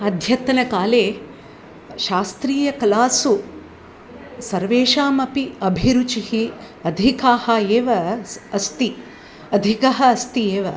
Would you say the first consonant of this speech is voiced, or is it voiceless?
voiced